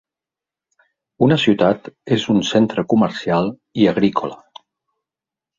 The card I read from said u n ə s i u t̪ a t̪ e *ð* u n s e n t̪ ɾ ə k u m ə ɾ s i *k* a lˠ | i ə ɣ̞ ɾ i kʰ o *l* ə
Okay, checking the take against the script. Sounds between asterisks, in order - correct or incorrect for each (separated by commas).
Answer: incorrect, incorrect, correct